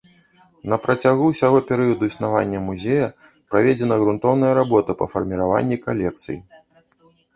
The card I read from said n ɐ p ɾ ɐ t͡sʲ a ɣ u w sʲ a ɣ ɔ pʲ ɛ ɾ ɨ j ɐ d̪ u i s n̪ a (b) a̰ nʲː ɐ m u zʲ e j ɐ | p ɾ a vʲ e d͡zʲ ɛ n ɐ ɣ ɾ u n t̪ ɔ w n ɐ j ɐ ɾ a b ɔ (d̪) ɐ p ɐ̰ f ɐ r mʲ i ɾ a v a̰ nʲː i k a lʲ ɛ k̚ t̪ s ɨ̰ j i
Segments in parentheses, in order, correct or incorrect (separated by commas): incorrect, incorrect